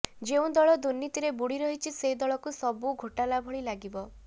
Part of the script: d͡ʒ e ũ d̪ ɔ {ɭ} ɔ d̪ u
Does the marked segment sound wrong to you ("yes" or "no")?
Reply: no